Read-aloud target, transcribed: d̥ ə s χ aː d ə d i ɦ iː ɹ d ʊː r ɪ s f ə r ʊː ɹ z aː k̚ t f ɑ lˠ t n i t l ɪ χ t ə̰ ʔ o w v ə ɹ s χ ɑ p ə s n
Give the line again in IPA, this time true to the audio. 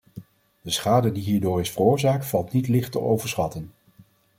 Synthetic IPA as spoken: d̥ ə s χ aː d ə d i ɦ iː ɹ d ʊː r ɪ s f ə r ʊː ɹ z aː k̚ t f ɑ lˠ t n i t l ɪ χ t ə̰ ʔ o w v ə ɹ s χ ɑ t ə n